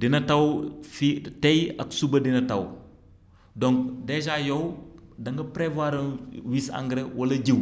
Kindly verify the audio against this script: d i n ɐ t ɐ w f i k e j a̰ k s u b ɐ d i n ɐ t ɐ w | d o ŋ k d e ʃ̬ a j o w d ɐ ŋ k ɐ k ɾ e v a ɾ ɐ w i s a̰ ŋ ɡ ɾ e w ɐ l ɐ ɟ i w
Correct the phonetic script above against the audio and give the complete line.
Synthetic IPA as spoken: d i n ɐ t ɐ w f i t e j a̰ k s u b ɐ d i n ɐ t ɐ w | d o ŋ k d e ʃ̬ a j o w d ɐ ŋ ɡ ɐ p ɾ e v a ɾ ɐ w i s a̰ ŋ ɡ ɾ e w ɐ l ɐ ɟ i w